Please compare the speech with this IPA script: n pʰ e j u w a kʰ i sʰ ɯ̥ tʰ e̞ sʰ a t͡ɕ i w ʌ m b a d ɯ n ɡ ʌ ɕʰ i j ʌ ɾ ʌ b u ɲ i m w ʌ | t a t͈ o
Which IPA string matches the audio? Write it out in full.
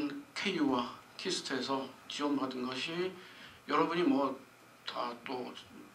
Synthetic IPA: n kʰ e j u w a kʰ i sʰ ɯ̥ tʰ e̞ sʰ ʌ t͡ɕ i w ʌ m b a d ɯ n ɡ ʌ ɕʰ i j ʌ ɾ ʌ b u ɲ i m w ʌ | t a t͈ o